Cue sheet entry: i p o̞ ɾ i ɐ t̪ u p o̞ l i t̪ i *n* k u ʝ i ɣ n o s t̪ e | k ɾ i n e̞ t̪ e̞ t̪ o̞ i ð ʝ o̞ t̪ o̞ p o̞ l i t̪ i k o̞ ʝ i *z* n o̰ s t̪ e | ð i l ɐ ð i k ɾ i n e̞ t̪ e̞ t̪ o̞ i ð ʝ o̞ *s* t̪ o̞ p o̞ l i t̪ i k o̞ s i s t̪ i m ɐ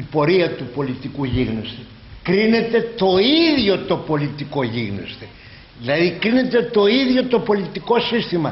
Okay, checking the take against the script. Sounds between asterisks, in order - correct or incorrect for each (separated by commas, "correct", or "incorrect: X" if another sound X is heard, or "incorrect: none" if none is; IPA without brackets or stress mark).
incorrect: none, incorrect: ɣ, incorrect: none